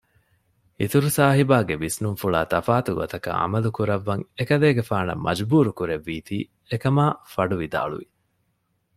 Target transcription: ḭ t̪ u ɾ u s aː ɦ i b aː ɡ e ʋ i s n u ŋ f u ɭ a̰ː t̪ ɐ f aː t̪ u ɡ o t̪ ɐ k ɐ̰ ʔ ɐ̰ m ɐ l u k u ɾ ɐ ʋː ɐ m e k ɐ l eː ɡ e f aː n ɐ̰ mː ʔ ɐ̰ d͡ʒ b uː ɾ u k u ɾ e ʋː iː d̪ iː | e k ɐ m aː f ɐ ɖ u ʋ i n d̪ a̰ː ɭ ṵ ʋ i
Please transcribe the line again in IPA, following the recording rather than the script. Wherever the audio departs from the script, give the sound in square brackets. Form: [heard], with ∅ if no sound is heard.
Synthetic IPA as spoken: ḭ t̪ u ɾ u s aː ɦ i b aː ɡ e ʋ i s n u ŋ f u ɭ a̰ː t̪ ɐ f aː t̪ u ɡ o t̪ ɐ k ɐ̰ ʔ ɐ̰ m ɐ l u k u ɾ ɐ ʋː ɐ [ŋ] e k ɐ l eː ɡ e f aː n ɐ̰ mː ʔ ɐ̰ d͡ʒ b uː ɾ u k u ɾ e ʋː iː [t̪] iː | e k ɐ m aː f ɐ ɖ u ʋ i [∅] d̪ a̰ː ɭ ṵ ʋ i